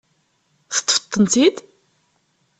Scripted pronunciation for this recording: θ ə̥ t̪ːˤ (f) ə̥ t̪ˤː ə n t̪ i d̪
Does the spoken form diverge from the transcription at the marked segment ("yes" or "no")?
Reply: no